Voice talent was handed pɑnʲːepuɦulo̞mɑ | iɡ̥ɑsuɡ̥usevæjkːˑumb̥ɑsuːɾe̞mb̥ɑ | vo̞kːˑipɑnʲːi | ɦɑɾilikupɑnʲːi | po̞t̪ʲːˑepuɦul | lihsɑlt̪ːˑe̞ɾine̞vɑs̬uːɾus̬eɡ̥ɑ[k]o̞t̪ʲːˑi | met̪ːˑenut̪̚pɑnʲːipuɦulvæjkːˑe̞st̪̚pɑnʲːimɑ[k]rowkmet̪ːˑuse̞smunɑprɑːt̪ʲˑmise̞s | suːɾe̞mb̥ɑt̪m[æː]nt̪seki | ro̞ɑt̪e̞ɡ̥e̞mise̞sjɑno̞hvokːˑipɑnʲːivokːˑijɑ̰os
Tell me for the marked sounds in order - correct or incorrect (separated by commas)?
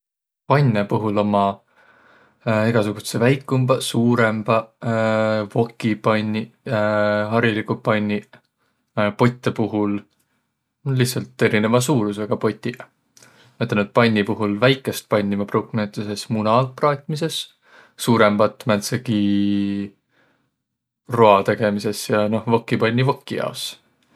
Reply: incorrect, incorrect, incorrect